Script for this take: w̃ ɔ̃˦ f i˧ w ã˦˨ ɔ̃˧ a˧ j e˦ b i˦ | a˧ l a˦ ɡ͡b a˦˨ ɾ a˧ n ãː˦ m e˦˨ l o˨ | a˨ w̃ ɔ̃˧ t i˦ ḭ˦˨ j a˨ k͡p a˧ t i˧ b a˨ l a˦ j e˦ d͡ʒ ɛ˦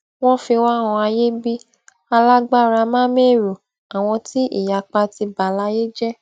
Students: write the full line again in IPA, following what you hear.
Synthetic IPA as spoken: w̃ ɔ̃˦ f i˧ w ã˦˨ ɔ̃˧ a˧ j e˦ b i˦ | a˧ l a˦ ɡ͡b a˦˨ ɾ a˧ m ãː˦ m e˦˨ ɾ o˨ | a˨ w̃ ɔ̃˧ t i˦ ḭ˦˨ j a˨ k͡p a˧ t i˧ b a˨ l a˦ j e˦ d͡ʒ ɛ˦